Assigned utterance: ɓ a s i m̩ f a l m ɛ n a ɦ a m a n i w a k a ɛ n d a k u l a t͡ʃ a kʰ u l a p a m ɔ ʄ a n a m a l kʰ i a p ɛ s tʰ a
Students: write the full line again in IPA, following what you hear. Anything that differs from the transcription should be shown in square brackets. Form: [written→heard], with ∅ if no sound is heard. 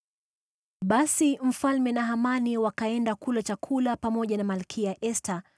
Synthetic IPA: ɓ a s i m̩ f a l m ɛ n a ɦ a m a n i w a k a ɛ n d a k u l a t͡ʃ a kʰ u l a p a m ɔ ʄ a n a m a l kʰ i a [p→ʔ] ɛ s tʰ a

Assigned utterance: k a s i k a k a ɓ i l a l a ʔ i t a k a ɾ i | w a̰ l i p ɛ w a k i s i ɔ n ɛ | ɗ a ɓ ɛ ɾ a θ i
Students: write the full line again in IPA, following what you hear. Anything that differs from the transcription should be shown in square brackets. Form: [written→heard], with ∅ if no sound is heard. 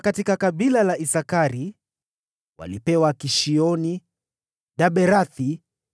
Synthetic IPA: k a [s→t] i k a k a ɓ i l a l a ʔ i [t→s] a k a ɾ i | w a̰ l i p ɛ w a k i [s→ʃ] i ɔ n [ɛ→i] | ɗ a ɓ ɛ ɾ a θ i

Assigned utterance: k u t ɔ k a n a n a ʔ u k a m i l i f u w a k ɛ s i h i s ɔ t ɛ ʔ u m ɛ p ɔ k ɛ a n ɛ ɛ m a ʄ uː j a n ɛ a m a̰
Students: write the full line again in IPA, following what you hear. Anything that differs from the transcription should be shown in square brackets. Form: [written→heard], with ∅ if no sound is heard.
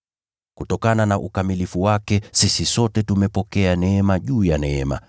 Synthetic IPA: k u t ɔ k a n a n a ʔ u k a m i l i f u w a k ɛ s i [h→s] i s ɔ t ɛ [ʔ→t] u m ɛ p ɔ k ɛ a n ɛ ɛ m a ʄ uː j a n ɛ [a→ɛ] m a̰

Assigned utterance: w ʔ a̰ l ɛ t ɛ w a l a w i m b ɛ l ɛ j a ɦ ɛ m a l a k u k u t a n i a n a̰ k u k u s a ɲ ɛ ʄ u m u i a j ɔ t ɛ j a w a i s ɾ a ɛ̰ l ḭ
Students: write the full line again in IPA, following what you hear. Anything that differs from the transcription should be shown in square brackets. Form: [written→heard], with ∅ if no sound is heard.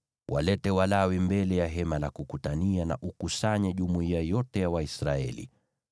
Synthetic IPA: w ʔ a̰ l ɛ t ɛ w a l a w i m b ɛ l ɛ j a ɦ ɛ m a l a k u k u t a n i a n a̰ [k→ʔ] u k u s a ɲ ɛ ʄ u m u i a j ɔ t ɛ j a w a i s ɾ a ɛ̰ l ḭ

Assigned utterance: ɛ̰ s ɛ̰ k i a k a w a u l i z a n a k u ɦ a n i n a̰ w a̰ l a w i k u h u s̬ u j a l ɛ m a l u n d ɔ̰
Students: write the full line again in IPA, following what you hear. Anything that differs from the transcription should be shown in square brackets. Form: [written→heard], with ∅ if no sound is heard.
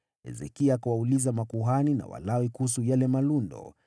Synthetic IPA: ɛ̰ [s→z] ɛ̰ k i a k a w a u l i z a [n→m] a k u ɦ a n i n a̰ w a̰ l a w i k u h u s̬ u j a l ɛ m a l u n d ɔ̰

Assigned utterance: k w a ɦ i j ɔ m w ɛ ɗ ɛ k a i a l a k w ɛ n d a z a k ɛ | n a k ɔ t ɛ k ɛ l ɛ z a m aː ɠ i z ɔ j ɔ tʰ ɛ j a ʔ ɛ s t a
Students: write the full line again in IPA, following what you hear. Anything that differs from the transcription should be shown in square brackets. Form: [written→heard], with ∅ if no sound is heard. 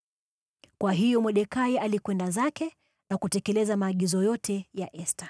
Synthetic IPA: k w a ɦ i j ɔ m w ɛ ɗ ɛ k a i a l [a→i] k w ɛ n d a z a k ɛ | n a k [ɔ→u] t ɛ k ɛ l ɛ z a m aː ɠ i z ɔ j ɔ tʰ ɛ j a ʔ ɛ s t a

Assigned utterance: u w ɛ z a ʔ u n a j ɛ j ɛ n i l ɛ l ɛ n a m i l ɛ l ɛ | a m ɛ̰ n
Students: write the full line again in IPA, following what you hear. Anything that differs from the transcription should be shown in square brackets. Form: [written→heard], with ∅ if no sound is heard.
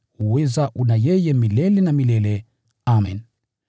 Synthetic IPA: u w ɛ z a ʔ u n a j ɛ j ɛ [n→m] i l ɛ l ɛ n a m i l ɛ l ɛ | a m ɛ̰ n

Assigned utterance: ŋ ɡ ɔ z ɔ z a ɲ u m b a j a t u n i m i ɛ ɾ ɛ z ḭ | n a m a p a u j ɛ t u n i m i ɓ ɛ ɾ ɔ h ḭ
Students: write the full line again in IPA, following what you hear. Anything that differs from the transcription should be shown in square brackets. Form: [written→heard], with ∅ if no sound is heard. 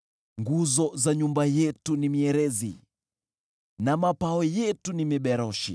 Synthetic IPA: ŋ ɡ [ɔ→u] z ɔ z a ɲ u m b a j [a→ɛ] t u n i m i ɛ ɾ ɛ z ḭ | n a m a p a [u→ɔ] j ɛ t u n i m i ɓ ɛ ɾ ɔ [h→ʃ] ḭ

